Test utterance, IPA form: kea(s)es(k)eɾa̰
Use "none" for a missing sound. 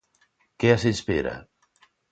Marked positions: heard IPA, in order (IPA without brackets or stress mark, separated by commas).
s, p